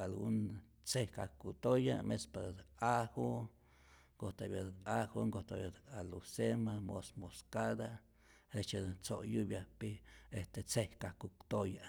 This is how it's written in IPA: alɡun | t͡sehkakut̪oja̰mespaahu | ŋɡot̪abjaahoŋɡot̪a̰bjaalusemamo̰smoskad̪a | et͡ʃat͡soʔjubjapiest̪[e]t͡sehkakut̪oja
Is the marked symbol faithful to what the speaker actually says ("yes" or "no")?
yes